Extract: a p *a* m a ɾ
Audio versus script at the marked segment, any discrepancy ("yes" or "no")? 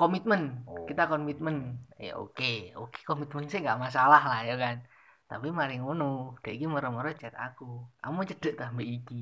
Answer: yes